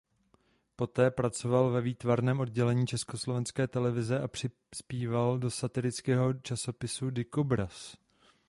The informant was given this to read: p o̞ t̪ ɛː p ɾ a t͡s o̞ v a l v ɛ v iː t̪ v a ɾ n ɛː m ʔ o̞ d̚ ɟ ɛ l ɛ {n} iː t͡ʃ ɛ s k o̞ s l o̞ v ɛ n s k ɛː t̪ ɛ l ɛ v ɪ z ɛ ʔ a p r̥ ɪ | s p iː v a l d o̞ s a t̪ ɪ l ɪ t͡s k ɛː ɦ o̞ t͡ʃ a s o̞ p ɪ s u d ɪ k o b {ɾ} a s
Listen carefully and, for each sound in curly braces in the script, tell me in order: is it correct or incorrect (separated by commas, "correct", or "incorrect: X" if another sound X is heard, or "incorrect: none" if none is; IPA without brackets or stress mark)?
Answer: incorrect: ɲ, correct